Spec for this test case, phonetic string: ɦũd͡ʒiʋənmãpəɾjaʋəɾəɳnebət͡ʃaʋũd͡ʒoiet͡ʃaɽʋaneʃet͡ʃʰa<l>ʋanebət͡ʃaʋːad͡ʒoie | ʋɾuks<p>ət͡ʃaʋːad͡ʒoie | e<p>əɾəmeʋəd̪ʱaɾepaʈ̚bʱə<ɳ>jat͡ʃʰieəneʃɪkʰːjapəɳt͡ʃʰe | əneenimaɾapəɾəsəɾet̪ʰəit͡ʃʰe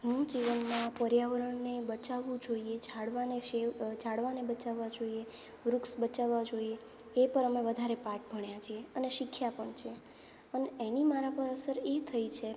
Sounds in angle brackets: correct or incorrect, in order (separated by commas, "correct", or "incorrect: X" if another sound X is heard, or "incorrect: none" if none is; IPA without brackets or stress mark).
incorrect: ɽ, incorrect: b, correct, correct